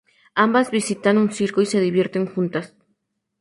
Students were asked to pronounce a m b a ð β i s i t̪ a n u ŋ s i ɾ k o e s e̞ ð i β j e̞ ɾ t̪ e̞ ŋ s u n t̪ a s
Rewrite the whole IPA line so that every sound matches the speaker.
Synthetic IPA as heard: a m b a z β i s i t̪ a n u n s i ɾ k o i s e̞ ð i β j e̞ ɾ t̪ e̞ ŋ x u n t̪ a s